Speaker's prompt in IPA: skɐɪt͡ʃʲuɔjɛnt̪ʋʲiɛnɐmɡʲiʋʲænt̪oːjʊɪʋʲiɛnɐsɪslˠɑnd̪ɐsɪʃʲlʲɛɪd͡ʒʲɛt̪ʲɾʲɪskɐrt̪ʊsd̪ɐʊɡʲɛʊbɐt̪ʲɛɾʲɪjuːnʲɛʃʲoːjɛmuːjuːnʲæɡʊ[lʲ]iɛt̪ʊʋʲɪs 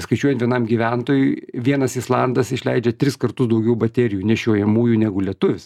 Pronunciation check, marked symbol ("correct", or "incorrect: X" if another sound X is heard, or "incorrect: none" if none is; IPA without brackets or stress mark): correct